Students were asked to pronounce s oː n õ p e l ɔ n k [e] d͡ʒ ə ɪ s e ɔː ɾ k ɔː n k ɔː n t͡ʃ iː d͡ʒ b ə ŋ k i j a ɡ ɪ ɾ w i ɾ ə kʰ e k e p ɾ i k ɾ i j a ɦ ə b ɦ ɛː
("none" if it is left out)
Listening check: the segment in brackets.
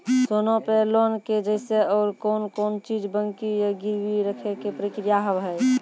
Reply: e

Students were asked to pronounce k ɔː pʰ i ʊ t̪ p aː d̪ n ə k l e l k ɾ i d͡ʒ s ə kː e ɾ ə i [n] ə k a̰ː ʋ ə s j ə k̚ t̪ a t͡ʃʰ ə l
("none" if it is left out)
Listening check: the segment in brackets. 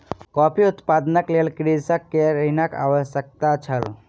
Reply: n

